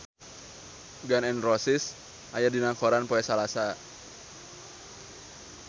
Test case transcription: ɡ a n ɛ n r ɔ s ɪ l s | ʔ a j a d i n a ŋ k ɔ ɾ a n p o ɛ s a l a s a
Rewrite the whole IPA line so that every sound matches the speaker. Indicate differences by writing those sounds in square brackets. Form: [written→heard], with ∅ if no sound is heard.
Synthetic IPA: ɡ a n ɛ n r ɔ s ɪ [l→∅] s | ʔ a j a d i n a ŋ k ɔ ɾ a n p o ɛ s a l a s a